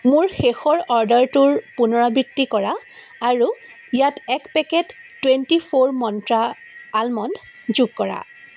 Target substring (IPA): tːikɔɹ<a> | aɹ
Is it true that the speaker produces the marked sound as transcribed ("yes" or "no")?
yes